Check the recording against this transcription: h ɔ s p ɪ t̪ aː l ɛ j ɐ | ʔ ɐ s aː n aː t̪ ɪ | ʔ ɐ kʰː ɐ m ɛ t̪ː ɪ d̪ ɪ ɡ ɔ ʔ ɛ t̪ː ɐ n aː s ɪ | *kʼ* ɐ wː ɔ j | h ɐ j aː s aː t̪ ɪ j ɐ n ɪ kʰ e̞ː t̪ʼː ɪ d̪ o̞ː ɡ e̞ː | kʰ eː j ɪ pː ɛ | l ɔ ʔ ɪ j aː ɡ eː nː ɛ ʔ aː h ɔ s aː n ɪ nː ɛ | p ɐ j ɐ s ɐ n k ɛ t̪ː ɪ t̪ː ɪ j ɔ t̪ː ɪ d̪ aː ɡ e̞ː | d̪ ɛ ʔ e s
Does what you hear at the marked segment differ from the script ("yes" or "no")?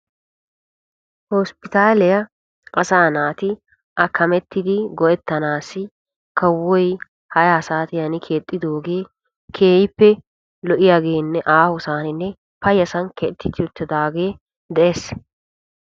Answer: yes